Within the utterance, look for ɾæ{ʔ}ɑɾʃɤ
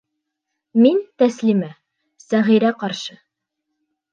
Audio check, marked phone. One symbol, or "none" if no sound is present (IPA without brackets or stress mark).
q